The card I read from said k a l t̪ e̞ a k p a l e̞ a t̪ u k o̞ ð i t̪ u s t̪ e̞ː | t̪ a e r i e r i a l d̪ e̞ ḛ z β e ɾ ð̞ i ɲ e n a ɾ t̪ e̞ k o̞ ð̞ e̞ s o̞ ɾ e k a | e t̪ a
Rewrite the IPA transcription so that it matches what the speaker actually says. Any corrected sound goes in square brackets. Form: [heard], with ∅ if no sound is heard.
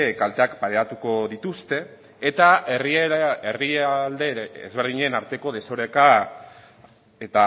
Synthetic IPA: k a l t̪ e̞ a k p a [ɾ] e̞ a t̪ u k o̞ ð i t̪ u s t̪ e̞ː | t̪ a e r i e r i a l d̪ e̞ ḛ z β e ɾ ð̞ i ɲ e n a ɾ t̪ e̞ k o̞ ð̞ e̞ s o̞ ɾ e k a | e t̪ a